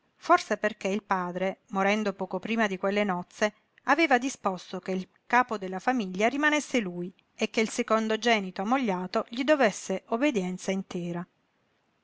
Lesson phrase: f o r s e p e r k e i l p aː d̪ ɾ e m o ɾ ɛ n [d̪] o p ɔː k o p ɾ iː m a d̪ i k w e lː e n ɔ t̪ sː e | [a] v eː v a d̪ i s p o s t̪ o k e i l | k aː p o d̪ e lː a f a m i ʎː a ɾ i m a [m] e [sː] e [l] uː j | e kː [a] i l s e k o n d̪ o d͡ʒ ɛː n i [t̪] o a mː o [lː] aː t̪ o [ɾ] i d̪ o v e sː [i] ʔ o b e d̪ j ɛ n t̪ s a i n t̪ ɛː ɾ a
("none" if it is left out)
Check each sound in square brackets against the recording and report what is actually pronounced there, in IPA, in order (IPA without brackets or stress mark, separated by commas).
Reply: d̪, a, n, sː, l, e, t̪, ʎː, ʎ, e